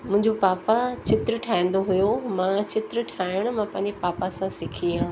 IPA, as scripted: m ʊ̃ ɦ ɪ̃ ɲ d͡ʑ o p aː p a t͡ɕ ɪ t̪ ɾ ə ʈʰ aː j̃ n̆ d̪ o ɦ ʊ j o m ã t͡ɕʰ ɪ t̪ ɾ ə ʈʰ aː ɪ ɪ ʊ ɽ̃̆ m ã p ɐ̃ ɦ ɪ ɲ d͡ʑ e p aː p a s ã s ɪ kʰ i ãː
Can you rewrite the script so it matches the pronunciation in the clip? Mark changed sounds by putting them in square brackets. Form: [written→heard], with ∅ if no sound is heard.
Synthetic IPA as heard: m ʊ̃ ɦ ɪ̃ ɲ d͡ʑ o p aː p a t͡ɕ ɪ t̪ ɾ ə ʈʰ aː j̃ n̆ d̪ o ɦ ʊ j o m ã [t͡ɕʰ→t͡ɕ] ɪ t̪ ɾ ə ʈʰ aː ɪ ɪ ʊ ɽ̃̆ m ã p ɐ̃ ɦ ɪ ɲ d͡ʑ e p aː p a s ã s ɪ kʰ i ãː